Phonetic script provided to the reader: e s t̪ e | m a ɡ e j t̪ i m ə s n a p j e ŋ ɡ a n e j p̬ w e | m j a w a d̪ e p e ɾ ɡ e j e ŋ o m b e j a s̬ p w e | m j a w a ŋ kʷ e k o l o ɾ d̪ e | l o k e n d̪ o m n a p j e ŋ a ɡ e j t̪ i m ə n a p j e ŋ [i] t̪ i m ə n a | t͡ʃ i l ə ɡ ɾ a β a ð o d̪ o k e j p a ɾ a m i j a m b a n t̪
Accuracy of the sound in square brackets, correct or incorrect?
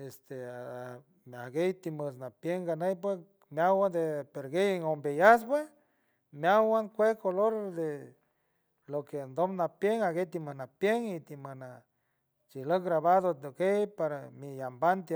correct